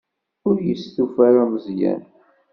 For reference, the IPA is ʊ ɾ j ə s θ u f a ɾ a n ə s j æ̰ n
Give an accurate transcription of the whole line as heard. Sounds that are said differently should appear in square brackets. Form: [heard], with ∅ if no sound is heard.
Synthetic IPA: ʊ ɾ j ə s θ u f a ɾ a [m] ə [z] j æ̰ n

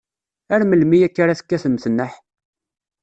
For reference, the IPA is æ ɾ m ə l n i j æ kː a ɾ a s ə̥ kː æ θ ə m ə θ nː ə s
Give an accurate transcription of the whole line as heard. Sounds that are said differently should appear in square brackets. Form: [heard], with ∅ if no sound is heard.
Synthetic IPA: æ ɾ m ə l [m] i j æ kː a ɾ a [θ] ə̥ kː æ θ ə m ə θ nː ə [ħ]

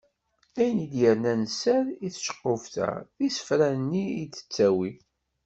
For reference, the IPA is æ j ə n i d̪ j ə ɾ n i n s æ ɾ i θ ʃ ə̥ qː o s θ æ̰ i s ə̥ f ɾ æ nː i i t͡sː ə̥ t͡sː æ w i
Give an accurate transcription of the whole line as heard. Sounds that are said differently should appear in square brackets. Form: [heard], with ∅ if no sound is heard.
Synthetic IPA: æ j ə n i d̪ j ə ɾ n [æ] n s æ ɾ i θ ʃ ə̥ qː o [f] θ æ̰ i s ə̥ f ɾ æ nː i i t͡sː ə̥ t͡sː æ w i

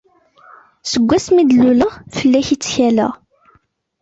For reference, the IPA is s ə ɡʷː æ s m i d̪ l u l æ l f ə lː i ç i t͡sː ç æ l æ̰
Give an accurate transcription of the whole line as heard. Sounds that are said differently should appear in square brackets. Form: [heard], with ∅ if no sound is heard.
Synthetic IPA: s ə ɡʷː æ s m i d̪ l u l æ [∅] f ə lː [æ] ç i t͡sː ç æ l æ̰

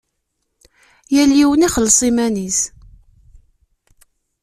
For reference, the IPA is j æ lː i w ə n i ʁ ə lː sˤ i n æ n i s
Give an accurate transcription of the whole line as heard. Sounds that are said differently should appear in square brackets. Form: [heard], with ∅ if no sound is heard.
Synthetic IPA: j æ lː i w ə n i [χ] ə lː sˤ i [m] æ n i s

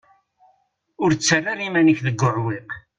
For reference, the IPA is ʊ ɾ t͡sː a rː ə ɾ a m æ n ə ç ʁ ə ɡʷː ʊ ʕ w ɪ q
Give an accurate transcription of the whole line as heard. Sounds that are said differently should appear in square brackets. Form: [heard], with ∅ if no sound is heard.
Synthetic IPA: ʊ ɾ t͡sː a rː [a] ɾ [i] m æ n ə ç [ð] ə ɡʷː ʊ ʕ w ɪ q

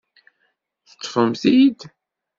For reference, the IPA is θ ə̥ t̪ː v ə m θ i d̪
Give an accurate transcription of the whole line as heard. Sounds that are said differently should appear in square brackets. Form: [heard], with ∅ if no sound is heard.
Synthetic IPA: θ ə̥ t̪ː [f] ə m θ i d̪

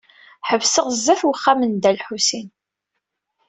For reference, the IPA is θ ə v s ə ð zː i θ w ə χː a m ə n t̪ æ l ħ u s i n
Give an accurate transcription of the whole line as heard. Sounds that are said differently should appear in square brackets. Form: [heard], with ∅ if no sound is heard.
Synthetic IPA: [ħ] ə v s ə [ʁ] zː [æ] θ w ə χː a m ə n [d̪] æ l ħ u s i n

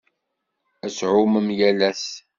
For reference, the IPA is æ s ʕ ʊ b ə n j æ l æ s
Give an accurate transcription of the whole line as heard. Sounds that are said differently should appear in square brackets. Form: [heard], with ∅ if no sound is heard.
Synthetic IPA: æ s ʕ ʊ [m] ə [m] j æ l æ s

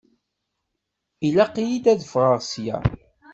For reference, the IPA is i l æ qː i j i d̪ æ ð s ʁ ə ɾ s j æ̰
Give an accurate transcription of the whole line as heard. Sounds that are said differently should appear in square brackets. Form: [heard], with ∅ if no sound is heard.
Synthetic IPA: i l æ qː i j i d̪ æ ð [f] ʁ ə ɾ s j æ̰

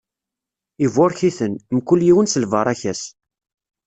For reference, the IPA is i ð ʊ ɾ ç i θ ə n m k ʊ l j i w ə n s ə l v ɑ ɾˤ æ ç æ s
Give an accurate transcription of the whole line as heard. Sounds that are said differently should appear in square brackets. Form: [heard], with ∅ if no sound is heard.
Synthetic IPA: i [v] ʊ ɾ ç i θ ə n m k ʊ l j i w ə n s ə l v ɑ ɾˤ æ ç æ s

